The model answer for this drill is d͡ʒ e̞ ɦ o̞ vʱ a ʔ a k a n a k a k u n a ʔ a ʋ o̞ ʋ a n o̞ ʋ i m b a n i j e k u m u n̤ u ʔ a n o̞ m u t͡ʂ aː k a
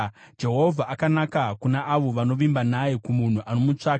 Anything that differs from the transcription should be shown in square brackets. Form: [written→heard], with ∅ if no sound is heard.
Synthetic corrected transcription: d͡ʒ e̞ ɦ o̞ vʱ a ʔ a k a n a k a k u n a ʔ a ʋ o̞ ʋ a n o̞ ʋ i m b a n [i→a] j e k u m u n̤ u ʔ a n o̞ m u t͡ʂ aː k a